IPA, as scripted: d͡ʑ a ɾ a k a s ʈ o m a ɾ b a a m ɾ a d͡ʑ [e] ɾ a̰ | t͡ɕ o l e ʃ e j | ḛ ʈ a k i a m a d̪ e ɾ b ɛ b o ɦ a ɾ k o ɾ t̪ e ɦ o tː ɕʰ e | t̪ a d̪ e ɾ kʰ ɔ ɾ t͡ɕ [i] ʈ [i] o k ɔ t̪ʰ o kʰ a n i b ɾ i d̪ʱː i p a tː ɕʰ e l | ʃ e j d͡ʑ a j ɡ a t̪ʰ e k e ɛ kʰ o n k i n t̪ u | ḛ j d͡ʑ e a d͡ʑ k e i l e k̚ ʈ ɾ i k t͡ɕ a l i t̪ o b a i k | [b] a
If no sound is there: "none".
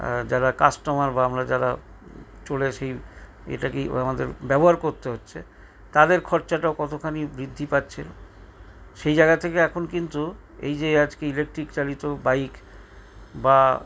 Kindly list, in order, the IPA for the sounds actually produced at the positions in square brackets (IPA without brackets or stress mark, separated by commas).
a, a, a, b